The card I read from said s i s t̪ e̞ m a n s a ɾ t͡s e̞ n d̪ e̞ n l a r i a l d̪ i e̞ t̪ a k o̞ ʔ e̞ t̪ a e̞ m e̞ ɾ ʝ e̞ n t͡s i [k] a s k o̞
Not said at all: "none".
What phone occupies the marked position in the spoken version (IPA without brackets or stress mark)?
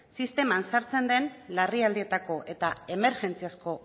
none